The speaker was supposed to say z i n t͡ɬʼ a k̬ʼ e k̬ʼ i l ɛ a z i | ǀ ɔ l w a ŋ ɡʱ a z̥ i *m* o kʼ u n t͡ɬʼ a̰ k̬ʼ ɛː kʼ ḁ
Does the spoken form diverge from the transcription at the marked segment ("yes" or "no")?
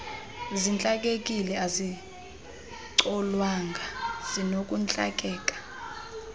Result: yes